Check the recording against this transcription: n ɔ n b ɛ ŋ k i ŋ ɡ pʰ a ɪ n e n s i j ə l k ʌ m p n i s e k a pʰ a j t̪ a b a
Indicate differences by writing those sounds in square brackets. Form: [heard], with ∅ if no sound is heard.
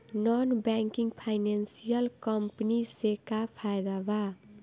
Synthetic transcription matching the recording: n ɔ n b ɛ ŋ k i ŋ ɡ pʰ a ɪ n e n s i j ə l k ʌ m p n i s e k a pʰ a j [d̪] a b a